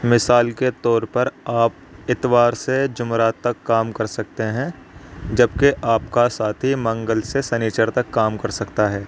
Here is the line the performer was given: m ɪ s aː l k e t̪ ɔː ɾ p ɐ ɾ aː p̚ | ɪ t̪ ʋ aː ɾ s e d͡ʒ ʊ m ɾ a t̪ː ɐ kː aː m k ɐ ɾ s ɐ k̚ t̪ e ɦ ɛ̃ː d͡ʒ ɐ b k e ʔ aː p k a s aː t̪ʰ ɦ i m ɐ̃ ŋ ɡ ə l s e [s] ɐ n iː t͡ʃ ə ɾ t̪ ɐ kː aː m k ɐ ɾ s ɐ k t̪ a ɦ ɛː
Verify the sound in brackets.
correct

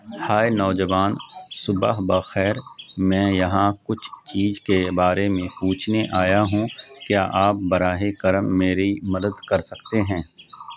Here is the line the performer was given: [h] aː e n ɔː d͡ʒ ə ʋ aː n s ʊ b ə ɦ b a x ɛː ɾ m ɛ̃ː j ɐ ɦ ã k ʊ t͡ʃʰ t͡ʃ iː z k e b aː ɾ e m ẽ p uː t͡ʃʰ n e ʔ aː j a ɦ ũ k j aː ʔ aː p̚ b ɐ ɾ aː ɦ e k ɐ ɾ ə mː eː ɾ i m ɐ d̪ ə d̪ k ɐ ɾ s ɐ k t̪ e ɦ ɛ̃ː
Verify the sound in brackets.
correct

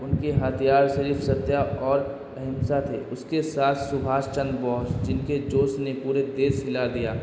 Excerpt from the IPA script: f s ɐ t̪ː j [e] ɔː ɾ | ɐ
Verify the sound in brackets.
incorrect: a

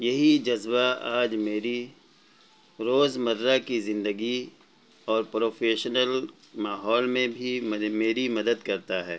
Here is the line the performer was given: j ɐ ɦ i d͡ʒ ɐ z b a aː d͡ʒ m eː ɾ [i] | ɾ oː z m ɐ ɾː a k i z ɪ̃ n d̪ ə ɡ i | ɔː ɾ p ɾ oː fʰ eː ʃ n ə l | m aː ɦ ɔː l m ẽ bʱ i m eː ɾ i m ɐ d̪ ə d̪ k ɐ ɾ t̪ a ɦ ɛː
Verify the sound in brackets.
correct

